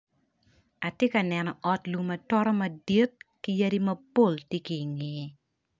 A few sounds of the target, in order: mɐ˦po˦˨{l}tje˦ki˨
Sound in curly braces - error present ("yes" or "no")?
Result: no